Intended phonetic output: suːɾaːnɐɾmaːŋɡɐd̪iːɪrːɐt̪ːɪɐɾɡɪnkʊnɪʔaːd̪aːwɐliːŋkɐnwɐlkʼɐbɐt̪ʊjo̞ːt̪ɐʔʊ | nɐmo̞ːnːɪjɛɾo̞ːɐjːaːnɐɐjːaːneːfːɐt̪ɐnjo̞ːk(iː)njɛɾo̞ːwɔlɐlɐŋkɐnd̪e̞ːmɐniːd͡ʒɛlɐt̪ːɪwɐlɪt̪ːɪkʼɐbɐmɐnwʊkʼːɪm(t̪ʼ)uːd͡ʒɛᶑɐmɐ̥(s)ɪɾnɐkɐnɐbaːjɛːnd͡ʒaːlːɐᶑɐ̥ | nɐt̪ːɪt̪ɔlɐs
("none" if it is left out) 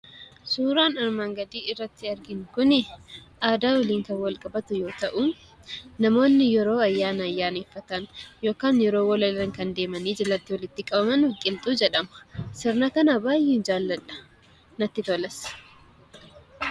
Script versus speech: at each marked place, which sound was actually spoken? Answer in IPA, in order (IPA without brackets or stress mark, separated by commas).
aː, t̪ʼ, s